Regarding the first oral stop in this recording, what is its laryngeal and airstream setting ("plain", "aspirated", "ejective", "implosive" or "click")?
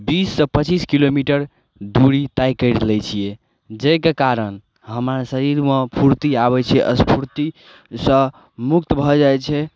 plain